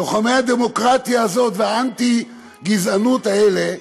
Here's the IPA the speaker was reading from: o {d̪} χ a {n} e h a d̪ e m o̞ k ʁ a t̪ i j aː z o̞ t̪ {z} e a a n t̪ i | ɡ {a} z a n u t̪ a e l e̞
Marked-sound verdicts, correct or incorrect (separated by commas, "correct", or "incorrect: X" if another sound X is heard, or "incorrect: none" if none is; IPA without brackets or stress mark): incorrect: none, incorrect: m, incorrect: v, incorrect: i